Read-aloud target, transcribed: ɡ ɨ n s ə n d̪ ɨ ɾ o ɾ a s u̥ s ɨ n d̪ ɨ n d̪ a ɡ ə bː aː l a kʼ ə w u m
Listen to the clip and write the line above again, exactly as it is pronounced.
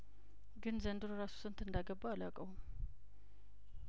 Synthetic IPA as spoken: ɡ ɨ n z ə n d̪ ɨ ɾ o ɾ a s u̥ s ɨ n t̪ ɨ n d̪ a ɡ ə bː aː l a kʼ ə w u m